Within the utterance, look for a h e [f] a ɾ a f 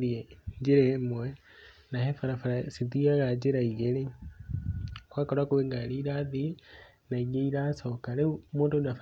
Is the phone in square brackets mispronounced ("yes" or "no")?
no